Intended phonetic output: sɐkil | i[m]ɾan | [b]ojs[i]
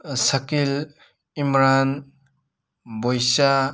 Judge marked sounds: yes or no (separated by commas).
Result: yes, yes, no